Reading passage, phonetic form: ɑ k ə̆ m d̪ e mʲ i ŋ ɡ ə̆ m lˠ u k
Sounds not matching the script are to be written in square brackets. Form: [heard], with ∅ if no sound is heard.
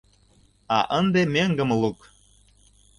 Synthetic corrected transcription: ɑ [ʔ] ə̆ [n] d̪ e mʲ [e] ŋ ɡ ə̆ m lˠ u k